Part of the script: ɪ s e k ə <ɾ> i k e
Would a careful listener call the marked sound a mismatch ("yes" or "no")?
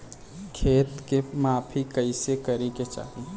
no